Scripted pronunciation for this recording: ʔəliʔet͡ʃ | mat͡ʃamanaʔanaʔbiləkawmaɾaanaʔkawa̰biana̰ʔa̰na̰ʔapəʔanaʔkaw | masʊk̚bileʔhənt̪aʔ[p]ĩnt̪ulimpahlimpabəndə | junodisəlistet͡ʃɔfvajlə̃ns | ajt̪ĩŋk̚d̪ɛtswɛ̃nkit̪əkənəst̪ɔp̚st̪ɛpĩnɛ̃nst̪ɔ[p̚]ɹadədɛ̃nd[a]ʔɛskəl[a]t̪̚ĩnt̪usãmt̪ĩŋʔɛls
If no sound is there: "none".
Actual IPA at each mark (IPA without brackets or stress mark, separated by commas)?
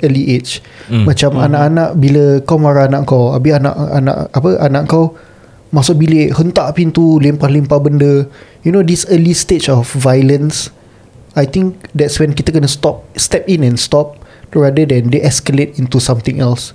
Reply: p, p̚, e, e